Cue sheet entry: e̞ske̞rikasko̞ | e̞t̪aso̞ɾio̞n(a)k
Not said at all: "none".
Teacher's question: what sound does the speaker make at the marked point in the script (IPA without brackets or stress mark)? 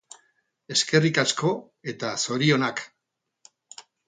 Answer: a